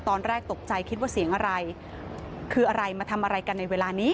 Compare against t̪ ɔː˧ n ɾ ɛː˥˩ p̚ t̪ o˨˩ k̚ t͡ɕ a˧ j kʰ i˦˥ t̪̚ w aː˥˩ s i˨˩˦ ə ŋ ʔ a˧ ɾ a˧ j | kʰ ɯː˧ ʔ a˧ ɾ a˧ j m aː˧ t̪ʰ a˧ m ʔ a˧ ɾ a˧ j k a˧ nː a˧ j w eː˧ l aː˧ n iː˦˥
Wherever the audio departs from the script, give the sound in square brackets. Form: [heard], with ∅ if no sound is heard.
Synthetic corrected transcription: t̪ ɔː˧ n ɾ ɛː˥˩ [k̚] t̪ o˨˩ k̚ t͡ɕ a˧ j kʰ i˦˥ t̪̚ w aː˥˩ s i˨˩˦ ə ŋ ʔ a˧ ɾ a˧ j | kʰ ɯː˧ ʔ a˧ ɾ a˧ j m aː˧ t̪ʰ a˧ m ʔ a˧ ɾ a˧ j k a˧ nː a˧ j w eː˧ l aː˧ n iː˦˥